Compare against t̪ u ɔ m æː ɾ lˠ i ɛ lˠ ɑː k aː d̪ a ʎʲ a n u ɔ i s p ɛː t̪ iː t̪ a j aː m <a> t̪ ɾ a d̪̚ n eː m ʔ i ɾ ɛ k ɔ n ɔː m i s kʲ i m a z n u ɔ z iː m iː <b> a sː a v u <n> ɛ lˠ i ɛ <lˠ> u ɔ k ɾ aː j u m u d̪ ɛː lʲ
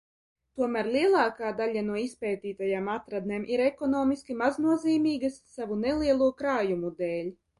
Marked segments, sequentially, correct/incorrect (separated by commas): correct, incorrect, correct, correct